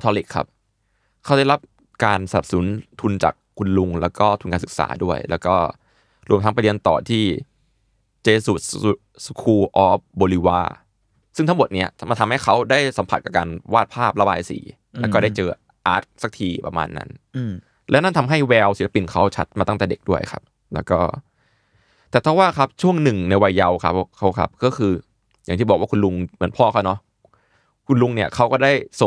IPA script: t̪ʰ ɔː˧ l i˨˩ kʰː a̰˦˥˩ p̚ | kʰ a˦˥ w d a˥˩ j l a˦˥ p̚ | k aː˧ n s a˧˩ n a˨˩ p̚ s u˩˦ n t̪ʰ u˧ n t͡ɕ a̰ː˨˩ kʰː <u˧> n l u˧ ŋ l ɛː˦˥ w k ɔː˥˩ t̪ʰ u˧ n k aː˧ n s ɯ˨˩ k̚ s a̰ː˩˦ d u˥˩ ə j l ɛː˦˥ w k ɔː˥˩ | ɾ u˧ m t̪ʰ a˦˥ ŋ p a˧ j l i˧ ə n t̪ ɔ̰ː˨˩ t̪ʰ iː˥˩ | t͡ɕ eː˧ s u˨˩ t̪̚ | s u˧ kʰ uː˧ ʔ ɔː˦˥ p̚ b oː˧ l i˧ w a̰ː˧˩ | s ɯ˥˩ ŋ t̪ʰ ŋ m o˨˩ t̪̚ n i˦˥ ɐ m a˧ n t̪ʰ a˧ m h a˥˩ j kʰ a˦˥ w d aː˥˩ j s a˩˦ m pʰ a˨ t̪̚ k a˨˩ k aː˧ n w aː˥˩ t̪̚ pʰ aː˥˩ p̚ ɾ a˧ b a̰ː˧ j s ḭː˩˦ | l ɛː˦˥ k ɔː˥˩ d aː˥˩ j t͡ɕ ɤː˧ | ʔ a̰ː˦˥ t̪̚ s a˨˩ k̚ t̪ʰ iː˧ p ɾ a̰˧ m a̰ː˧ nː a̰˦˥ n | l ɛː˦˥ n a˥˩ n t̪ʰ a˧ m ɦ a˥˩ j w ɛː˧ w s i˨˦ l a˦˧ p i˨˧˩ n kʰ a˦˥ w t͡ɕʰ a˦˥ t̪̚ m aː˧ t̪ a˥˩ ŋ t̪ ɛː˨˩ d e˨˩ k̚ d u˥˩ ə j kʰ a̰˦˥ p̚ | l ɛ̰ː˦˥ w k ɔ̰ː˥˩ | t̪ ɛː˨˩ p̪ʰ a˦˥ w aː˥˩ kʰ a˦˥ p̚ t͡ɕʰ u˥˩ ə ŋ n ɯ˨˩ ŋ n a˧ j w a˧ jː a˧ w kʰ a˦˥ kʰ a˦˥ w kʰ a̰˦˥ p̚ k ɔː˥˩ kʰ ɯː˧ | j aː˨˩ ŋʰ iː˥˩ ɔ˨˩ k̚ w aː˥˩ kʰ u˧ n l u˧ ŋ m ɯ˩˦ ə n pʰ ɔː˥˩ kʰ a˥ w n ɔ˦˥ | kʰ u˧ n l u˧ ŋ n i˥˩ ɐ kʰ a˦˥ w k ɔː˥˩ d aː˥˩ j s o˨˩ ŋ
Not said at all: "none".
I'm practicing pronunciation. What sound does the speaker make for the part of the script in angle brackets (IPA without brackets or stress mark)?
u˧